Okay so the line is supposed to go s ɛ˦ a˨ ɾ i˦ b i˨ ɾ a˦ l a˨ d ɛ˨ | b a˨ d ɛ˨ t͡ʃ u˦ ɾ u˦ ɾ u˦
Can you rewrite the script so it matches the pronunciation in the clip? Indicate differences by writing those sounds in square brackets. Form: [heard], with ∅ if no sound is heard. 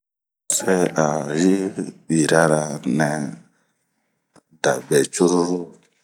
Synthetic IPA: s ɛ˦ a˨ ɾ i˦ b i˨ ɾ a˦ [ɾ] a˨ [n] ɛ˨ | [d] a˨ [b] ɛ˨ t͡ʃ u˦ ɾ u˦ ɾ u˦